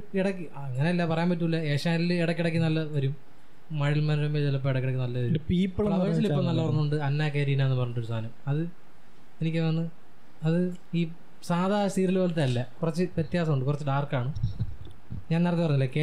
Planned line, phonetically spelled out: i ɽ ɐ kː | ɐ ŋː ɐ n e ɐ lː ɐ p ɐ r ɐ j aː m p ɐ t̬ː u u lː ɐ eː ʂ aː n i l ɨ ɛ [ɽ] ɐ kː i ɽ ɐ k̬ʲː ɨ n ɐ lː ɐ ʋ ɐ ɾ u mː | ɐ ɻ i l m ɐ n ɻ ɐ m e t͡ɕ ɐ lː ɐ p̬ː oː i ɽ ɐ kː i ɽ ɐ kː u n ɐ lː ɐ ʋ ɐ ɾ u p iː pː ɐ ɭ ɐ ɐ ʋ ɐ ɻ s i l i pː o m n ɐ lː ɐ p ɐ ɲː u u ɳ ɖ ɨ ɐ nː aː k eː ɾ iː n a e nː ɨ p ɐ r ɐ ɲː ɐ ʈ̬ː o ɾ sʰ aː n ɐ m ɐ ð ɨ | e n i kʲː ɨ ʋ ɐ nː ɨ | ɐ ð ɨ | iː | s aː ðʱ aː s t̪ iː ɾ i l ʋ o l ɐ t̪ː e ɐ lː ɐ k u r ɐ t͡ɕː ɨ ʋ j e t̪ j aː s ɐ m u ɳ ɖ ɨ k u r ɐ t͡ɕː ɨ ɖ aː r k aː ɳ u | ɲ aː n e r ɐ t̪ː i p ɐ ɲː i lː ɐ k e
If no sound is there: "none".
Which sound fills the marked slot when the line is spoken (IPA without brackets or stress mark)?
ɽ